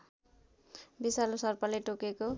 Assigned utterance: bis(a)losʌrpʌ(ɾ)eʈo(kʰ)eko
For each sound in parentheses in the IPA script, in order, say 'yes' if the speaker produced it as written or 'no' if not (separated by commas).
yes, no, no